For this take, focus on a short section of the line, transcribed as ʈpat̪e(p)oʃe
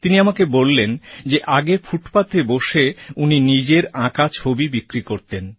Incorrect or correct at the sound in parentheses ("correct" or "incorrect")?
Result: incorrect